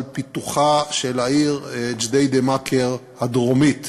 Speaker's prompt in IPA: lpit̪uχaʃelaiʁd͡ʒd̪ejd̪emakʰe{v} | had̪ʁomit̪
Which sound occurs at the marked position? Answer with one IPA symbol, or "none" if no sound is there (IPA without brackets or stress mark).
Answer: ʁ